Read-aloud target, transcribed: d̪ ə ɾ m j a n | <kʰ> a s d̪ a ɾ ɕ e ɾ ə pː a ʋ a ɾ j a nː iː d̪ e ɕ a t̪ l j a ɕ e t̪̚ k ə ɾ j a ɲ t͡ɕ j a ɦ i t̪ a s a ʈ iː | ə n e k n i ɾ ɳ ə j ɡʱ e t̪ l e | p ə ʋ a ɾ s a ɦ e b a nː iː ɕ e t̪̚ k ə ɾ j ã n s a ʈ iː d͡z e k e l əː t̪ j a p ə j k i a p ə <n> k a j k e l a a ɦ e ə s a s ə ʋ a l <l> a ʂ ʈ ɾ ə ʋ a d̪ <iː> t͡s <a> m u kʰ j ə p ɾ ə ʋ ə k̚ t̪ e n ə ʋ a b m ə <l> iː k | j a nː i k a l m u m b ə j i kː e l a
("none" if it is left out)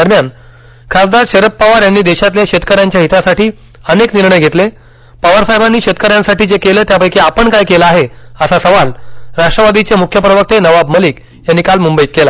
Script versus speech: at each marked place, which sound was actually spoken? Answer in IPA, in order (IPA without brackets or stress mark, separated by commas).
kʰ, ɳ, ɾ, i, e, l